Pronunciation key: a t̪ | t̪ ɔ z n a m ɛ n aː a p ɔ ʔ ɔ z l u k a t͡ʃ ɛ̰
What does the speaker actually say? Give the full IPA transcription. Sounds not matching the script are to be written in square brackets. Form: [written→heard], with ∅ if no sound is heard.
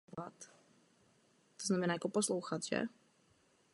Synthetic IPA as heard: a t̪ | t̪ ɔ z n a m ɛ n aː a [p→k] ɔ [ʔ→p] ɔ [z→s] l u [k→x] a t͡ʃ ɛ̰

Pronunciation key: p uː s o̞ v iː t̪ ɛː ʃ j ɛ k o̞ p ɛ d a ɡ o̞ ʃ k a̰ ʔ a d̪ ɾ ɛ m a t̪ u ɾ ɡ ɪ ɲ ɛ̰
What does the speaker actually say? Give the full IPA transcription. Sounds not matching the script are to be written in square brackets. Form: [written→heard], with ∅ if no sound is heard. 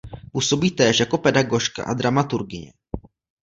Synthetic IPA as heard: p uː s o̞ [v→b] iː t̪ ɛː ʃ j [ɛ→a] k o̞ p ɛ d a ɡ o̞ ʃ k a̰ ʔ a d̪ ɾ [ɛ→a] m a t̪ u ɾ ɡ ɪ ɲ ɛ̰

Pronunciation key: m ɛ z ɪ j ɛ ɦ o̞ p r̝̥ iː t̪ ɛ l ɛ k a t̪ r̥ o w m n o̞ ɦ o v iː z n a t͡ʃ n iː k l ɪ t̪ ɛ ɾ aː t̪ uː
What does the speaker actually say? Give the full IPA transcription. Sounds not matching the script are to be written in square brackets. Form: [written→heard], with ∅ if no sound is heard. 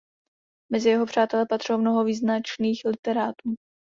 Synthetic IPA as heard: m ɛ z ɪ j ɛ ɦ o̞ p r̝̥ [iː→aː] t̪ ɛ l ɛ [k→p] a t̪ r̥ o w m n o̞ ɦ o v iː z n a t͡ʃ n iː [k→x] l ɪ t̪ ɛ ɾ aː t̪ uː

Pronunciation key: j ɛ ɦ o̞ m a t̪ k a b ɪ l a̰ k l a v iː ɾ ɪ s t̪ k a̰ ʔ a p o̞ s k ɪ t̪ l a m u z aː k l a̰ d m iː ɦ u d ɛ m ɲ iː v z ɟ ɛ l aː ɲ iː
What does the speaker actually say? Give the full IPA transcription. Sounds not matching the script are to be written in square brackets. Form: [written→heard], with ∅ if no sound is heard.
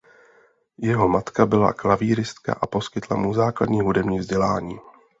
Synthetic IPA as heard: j ɛ ɦ o̞ m a t̪ k a b ɪ l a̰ k l a v iː ɾ ɪ s t̪ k a̰ ʔ a p o̞ s k ɪ t̪ l a m u z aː k l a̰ d [m→ɲ] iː ɦ u d ɛ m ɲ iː v z ɟ ɛ l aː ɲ iː

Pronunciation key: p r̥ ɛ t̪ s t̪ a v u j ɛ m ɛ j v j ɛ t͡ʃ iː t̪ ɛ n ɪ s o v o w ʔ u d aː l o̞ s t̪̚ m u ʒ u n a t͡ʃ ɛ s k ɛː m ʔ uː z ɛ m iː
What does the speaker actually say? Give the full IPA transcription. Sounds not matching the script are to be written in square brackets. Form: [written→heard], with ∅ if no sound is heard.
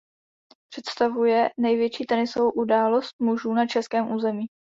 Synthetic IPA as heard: p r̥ ɛ t̪ s t̪ a v u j ɛ [m→n] ɛ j v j ɛ t͡ʃ iː t̪ ɛ n ɪ s o v o w ʔ u d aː l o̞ s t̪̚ m u ʒ [u→uː] n a t͡ʃ ɛ s k ɛː m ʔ uː z ɛ m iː

